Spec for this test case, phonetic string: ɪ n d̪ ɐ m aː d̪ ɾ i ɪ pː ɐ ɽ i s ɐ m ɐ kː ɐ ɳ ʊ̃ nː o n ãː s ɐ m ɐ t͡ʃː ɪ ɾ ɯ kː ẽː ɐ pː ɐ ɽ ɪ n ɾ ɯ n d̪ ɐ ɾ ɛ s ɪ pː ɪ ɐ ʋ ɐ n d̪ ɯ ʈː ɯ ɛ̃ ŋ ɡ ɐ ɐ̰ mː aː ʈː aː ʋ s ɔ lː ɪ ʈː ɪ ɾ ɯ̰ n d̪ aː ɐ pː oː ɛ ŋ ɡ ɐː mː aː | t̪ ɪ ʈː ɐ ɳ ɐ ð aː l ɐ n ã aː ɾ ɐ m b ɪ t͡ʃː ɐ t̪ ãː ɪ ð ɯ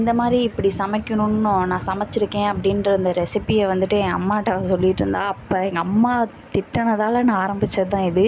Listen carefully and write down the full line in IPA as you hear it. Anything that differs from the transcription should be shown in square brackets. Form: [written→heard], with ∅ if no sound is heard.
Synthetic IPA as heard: ɪ n d̪ ɐ m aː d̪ ɾ i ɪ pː ɐ ɽ i s ɐ m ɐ kː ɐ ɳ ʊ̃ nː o n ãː s ɐ m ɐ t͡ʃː ɪ ɾ ɯ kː ẽː ɐ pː ɐ ɽ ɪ n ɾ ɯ n d̪ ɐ ɾ ɛ s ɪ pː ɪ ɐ ʋ ɐ n d̪ ɯ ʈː ɯ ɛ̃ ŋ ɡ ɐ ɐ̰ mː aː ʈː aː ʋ s ɔ lː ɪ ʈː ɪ ɾ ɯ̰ n d̪ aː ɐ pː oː ɛ ŋ ɡ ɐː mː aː | t̪ ɪ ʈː ɐ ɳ ɐ ð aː l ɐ n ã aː ɾ ɐ m b ɪ t͡ʃː ɐ t̪ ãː ɪ ð ɯ

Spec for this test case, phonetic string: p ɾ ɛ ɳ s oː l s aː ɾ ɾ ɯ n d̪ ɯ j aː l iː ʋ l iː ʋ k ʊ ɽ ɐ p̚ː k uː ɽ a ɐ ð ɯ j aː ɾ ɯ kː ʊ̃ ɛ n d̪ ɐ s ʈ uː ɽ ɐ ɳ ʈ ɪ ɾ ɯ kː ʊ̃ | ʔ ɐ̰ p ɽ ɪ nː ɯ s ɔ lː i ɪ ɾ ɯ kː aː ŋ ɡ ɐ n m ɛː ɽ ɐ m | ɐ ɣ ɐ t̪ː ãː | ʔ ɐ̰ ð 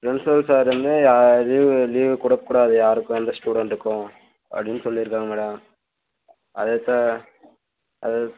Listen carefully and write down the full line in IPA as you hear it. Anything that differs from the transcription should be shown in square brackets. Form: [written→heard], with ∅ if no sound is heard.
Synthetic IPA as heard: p ɾ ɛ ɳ s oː l s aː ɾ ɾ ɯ n d̪ ɯ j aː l iː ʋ l iː ʋ k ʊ ɽ ɐ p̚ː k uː ɽ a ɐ ð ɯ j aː ɾ ɯ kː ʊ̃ ɛ n d̪ ɐ s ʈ uː ɽ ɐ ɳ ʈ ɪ ɾ ɯ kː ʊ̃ | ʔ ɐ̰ p ɽ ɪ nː ɯ s ɔ lː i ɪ ɾ ɯ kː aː ŋ ɡ ɐ [n→∅] m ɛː ɽ ɐ m | ɐ [ɣ→ð] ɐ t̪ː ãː | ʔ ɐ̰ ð

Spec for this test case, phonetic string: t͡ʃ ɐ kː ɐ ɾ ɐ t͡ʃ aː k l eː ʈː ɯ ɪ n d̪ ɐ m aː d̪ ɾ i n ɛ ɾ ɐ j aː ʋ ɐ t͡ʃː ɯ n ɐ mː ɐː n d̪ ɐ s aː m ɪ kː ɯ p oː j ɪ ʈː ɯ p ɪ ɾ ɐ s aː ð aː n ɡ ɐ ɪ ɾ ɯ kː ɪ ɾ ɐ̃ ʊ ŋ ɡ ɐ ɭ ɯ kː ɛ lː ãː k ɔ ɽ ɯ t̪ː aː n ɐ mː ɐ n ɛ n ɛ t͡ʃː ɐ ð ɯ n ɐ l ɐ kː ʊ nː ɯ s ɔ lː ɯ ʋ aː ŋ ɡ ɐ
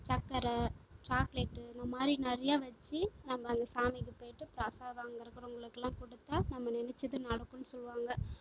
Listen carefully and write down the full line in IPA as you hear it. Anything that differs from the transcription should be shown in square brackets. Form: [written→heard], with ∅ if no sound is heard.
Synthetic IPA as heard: t͡ʃ ɐ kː ɐ ɾ ɐ t͡ʃ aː k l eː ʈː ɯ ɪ n d̪ ɐ m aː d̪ ɾ i n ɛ ɾ ɐ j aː ʋ ɐ t͡ʃː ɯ n ɐ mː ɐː n d̪ ɐ s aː m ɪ kː ɯ p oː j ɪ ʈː ɯ p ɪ ɾ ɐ s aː ð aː [n→ŋ] ɡ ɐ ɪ ɾ ɯ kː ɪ ɾ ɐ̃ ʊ ŋ ɡ ɐ ɭ ɯ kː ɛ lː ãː k ɔ ɽ ɯ t̪ː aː n ɐ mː ɐ n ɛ n ɛ t͡ʃː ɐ ð ɯ n ɐ [l→ɽ] ɐ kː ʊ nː ɯ s ɔ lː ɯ ʋ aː ŋ ɡ ɐ

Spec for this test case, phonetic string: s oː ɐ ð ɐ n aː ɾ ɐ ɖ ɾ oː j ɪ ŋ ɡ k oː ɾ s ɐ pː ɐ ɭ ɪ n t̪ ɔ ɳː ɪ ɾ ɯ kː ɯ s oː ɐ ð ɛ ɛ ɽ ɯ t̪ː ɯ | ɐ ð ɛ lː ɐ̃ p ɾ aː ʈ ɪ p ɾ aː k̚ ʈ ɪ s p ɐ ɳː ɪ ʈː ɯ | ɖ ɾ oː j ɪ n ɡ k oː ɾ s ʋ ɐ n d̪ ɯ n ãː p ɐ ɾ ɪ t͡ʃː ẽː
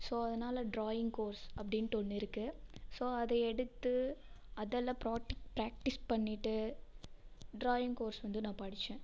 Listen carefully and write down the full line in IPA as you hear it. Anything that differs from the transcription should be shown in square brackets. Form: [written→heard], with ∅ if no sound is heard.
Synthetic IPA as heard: s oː ɐ ð ɐ n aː [ɾ→l] ɐ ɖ ɾ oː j ɪ ŋ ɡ k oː ɾ s ɐ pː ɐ [ɭ→ɽ] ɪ n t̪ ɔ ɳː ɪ ɾ ɯ kː ɯ s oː ɐ ð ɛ ɛ ɽ ɯ t̪ː ɯ | ɐ ð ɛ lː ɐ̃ p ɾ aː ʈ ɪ p ɾ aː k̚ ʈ ɪ s p ɐ ɳː ɪ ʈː ɯ | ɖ ɾ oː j ɪ [n→ŋ] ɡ k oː ɾ s ʋ ɐ n d̪ ɯ n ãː p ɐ [ɾ→ɽ] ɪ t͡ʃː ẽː

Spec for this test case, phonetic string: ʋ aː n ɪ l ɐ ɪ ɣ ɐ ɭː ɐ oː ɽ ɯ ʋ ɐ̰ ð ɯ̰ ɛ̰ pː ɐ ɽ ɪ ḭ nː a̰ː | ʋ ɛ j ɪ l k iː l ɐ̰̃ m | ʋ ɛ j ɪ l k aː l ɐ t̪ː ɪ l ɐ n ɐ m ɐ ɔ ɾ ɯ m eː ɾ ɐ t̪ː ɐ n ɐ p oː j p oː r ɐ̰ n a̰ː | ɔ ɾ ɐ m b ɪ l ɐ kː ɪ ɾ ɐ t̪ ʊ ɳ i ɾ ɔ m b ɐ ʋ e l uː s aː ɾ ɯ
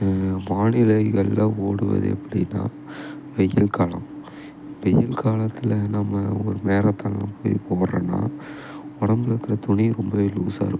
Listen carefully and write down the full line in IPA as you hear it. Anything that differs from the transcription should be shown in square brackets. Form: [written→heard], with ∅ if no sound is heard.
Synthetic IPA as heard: ʋ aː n ɪ l ɐ ɪ ɣ ɐ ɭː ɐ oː ɽ ɯ ʋ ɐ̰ ð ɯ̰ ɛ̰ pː ɐ ɽ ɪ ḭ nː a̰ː | ʋ ɛ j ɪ l k [iː→aː] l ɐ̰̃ m | ʋ ɛ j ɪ l k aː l ɐ t̪ː ɪ l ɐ n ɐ m ɐ ɔ ɾ ɯ m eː ɾ ɐ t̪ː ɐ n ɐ p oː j p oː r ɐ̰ n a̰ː | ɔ [ɾ→ɽ] ɐ m b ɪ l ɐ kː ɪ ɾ ɐ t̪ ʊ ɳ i ɾ ɔ m b ɐ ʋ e l uː s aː ɾ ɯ

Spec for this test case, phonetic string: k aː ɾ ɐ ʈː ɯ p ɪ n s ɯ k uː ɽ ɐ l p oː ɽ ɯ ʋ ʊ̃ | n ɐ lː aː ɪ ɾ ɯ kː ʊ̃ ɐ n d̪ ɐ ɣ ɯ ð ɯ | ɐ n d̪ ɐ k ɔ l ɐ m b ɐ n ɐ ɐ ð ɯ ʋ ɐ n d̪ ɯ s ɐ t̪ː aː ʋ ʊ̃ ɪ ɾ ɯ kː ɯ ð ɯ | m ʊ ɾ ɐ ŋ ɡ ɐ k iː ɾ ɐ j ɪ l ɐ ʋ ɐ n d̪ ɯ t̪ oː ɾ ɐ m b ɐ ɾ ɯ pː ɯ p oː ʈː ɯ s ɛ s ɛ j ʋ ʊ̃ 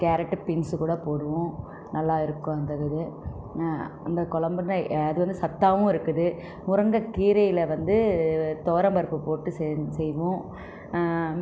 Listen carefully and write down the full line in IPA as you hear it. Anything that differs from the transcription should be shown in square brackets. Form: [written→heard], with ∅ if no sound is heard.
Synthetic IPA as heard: k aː ɾ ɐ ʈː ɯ p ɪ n s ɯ k uː ɽ ɐ [l→∅] p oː ɽ ɯ ʋ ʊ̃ | n ɐ lː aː ɪ ɾ ɯ kː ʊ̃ ɐ n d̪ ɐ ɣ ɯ ð ɯ | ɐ n d̪ ɐ k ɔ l ɐ m b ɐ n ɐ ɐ ð ɯ ʋ ɐ n d̪ ɯ s ɐ t̪ː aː ʋ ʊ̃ ɪ ɾ ɯ kː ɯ ð ɯ | m ʊ ɾ ɐ ŋ ɡ ɐ k iː ɾ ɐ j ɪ l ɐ ʋ ɐ n d̪ ɯ t̪ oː ɾ ɐ m b ɐ ɾ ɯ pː ɯ p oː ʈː ɯ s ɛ s ɛ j ʋ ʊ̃

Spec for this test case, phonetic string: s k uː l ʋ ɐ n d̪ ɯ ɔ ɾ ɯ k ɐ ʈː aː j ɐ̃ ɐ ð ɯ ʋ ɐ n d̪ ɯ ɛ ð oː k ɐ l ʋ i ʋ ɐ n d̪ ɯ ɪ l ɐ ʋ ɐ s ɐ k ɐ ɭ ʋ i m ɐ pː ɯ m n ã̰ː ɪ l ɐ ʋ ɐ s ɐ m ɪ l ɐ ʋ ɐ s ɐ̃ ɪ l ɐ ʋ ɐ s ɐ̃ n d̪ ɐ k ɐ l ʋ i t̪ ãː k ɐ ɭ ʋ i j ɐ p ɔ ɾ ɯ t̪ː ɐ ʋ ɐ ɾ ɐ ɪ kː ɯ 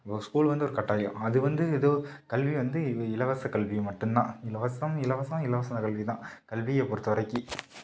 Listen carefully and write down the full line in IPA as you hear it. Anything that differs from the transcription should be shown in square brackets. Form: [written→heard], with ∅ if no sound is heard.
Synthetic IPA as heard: s k uː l ʋ ɐ n d̪ ɯ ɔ ɾ ɯ k ɐ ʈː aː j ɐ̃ ɐ ð ɯ ʋ ɐ n d̪ ɯ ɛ ð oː k ɐ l ʋ i ʋ ɐ n d̪ ɯ ɪ l ɐ ʋ ɐ s ɐ k ɐ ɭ ʋ i m ɐ [pː→ʈː] ɯ m n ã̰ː ɪ l ɐ ʋ ɐ s ɐ m ɪ l ɐ ʋ ɐ s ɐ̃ ɪ l ɐ ʋ ɐ s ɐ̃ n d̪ ɐ k ɐ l ʋ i t̪ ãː k ɐ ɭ ʋ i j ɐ p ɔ ɾ ɯ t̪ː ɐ ʋ ɐ ɾ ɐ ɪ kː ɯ

